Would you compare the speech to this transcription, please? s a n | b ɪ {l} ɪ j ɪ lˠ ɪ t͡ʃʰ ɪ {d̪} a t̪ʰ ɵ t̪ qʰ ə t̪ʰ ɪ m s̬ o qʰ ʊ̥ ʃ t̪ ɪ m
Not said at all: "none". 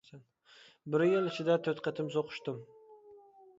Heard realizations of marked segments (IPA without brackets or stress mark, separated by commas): ɾ, d̪